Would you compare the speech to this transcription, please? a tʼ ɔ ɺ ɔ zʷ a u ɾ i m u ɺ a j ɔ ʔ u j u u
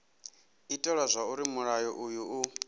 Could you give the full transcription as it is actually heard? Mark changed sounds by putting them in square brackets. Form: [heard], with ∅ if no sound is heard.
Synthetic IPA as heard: [i] tʼ ɔ ɺ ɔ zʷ a u ɾ i m u ɺ a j ɔ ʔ u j u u